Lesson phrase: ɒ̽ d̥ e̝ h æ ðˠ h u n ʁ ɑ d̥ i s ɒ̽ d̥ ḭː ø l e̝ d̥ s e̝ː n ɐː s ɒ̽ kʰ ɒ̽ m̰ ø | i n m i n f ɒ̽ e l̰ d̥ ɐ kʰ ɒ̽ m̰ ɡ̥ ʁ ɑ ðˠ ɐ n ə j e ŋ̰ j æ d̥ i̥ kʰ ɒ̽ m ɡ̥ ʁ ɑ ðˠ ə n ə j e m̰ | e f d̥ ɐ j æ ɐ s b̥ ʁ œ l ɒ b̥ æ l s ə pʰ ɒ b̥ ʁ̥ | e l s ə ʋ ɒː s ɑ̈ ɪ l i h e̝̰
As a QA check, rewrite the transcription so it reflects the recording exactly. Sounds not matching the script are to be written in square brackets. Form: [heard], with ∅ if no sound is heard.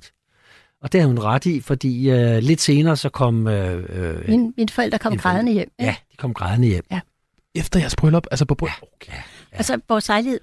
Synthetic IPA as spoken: ɒ̽ d̥ e̝ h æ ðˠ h u n ʁ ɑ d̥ i [f] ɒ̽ d̥ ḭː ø l e̝ d̥ s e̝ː n ɐː s ɒ̽ kʰ ɒ̽ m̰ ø | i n m i n f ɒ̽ e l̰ d̥ ɐ kʰ ɒ̽ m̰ ɡ̥ ʁ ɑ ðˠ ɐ n ə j e [m̰] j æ d̥ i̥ kʰ ɒ̽ m ɡ̥ ʁ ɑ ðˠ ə n ə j e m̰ | e f d̥ ɐ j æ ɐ s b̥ ʁ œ l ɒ b̥ æ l s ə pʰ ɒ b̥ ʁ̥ | [æ] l s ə ʋ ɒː s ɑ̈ ɪ l i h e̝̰